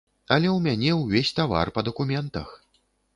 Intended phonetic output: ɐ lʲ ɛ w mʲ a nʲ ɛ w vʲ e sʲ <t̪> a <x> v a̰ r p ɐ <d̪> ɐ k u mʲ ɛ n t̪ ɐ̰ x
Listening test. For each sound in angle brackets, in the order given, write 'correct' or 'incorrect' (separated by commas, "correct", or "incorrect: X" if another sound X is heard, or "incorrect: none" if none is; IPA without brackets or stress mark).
correct, incorrect: none, correct